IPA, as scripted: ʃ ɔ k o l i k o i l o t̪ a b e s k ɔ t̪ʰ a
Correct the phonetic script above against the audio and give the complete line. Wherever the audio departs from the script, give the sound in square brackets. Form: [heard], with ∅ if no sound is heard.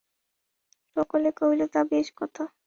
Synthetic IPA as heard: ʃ ɔ k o l [e] k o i l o t̪ a b e [ʃ] k ɔ t̪ʰ a

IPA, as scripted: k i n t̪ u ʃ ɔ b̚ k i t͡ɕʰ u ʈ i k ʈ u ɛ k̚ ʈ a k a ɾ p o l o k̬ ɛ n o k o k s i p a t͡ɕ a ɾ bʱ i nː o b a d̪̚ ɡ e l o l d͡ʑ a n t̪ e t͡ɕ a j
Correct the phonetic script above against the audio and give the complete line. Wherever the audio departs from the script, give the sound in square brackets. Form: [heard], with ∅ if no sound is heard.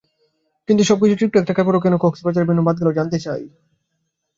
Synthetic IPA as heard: k i n t̪ u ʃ ɔ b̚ k i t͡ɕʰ u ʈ i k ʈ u ɛ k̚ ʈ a k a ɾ p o [ɾ] o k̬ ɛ n o k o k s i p a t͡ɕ a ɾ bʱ i nː o b a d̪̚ ɡ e l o [∅] d͡ʑ a n t̪ e t͡ɕ a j

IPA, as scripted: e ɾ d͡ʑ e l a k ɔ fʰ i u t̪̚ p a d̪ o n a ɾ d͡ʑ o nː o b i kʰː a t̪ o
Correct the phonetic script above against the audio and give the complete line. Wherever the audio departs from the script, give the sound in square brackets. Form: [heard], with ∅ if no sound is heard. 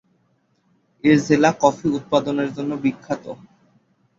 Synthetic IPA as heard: e ɾ d͡ʑ e l a k ɔ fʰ i u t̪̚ p a d̪ o n [e] ɾ d͡ʑ o nː o b i kʰː a t̪ o

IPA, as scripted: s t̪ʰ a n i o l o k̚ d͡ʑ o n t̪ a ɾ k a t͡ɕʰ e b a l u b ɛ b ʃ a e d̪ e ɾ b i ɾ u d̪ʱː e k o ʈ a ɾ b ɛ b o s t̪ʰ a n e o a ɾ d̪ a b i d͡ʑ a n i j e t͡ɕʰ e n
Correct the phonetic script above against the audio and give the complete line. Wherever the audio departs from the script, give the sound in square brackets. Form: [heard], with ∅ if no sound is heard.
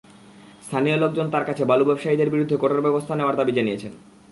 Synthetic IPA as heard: s t̪ʰ a n i o l o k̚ d͡ʑ o n t̪ a ɾ k a t͡ɕʰ e b a l u b ɛ b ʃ a [i] d̪ e ɾ b i ɾ u d̪ʱː e k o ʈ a ɾ b ɛ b o s t̪ʰ a n e o a ɾ d̪ a b i d͡ʑ a n i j e t͡ɕʰ e n

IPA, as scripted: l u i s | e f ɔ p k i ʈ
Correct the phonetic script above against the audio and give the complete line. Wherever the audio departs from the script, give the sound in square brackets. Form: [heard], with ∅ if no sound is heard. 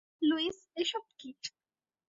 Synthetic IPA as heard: l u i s | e [ʃ] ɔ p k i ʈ

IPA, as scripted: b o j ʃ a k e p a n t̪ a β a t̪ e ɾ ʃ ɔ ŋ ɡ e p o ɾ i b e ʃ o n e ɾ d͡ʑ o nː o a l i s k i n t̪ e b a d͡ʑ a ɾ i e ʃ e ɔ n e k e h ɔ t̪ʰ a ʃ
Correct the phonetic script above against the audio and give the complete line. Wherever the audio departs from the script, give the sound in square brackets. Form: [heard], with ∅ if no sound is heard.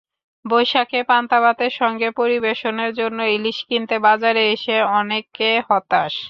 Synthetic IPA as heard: b o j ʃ a k e p a n t̪ a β a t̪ e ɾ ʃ ɔ ŋ ɡ e p o ɾ i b e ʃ o n e ɾ d͡ʑ o nː o [i] l i [ʃ] k i n t̪ e b a d͡ʑ a ɾ [e] e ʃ e ɔ n e k e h ɔ [t̪] a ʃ

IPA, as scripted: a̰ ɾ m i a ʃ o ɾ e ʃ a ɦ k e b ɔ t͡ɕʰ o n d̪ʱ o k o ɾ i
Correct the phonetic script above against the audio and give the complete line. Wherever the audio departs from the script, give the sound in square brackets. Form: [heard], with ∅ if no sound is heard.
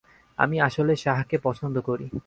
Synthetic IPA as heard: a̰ [∅] m i a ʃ o [l] e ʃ a ɦ k e [p] ɔ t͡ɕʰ o n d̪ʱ o k o ɾ i

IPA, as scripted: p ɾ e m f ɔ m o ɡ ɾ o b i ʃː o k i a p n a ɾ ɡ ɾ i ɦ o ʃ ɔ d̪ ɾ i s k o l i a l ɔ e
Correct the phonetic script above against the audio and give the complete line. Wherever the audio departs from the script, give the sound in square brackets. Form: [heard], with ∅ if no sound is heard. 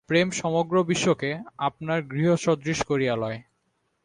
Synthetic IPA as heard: p ɾ e m [ʃ] ɔ m o ɡ ɾ o b i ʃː o k [e] a p n a ɾ ɡ ɾ i ɦ o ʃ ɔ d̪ ɾ i [ʃ] k o [ɾ] i a l ɔ e

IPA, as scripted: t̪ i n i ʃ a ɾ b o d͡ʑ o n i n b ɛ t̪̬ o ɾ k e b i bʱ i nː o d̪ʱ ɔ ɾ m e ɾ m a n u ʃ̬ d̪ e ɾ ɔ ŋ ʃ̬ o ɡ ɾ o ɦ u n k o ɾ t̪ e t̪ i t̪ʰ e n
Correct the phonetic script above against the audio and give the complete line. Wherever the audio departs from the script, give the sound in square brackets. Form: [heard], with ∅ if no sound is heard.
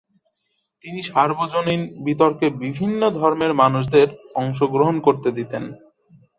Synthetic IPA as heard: t̪ i n i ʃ a ɾ b o d͡ʑ o n i n b [i] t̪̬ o ɾ k e b i bʱ i nː o d̪ʱ ɔ ɾ m e ɾ m a n u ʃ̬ d̪ e ɾ ɔ ŋ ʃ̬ o ɡ ɾ o ɦ [o] n k o ɾ t̪ e [d̪] i [t̪] e n

